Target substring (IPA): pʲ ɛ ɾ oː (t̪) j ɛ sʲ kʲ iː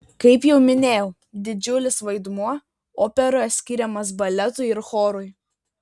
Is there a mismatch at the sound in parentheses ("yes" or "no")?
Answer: yes